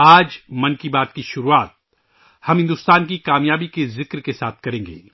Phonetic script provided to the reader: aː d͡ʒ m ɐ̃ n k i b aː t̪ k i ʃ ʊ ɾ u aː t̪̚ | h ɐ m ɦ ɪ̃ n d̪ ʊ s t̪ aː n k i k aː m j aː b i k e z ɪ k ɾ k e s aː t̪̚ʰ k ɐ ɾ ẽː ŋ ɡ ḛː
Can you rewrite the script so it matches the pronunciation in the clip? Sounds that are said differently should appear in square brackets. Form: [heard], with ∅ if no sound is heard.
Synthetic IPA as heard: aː d͡ʒ m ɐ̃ n k i b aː t̪ k i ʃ ʊ ɾ u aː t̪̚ | h ɐ m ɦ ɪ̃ n d̪ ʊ s t̪ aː n k i k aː m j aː b i k e z ɪ k ɾ k e s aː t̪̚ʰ k ɐ ɾ ẽː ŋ ɡ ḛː